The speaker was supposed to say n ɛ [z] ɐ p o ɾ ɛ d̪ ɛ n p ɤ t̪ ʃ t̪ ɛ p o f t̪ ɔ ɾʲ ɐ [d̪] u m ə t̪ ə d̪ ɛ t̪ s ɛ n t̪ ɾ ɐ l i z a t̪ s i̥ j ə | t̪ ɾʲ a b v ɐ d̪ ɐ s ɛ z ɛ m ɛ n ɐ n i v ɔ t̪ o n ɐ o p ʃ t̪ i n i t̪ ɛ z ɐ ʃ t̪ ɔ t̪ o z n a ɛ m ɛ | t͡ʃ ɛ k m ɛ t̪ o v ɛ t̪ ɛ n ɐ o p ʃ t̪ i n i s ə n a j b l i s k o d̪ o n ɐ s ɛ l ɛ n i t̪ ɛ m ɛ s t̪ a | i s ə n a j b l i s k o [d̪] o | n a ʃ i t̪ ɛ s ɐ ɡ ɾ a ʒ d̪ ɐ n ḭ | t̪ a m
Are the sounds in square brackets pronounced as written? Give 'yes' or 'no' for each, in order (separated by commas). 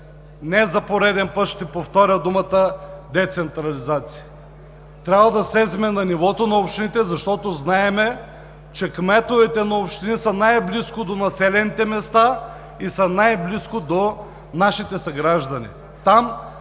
yes, yes, yes